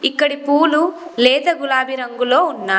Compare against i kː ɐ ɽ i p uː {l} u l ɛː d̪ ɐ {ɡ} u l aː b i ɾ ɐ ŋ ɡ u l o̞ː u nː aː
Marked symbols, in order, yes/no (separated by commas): yes, yes